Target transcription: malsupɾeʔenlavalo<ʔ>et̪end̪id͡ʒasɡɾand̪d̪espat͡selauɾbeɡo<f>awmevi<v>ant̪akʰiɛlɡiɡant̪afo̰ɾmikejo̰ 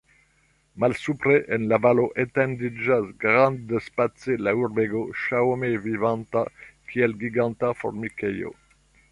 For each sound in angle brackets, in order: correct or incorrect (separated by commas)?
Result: correct, incorrect, correct